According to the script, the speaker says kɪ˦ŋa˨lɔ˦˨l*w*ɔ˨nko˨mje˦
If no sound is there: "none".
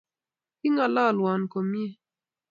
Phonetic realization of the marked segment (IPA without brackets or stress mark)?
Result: w